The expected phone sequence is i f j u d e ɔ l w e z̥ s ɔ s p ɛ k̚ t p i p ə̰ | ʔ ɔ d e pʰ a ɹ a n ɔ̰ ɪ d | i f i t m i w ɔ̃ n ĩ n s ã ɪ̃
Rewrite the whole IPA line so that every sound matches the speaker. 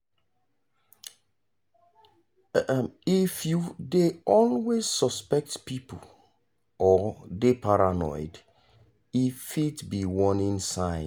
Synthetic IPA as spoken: i f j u d e ɔ l w e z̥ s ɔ s p ɛ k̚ t p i p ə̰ | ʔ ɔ d e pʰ a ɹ a n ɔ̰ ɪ d | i f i t b i w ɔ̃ n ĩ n s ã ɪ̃